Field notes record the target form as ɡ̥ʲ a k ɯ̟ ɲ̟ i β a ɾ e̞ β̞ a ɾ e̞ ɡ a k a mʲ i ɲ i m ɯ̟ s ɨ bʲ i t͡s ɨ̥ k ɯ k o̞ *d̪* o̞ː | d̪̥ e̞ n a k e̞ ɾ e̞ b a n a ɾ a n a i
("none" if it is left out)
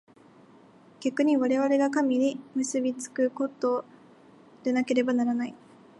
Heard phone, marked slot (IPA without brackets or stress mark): t̪